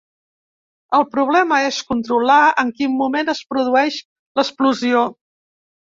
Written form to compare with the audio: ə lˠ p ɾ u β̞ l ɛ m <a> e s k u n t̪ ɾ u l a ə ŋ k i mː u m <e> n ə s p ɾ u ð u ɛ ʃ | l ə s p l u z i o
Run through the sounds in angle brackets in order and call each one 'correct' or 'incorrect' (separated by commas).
incorrect, correct